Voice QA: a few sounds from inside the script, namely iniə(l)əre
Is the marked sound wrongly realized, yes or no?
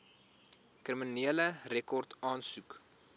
no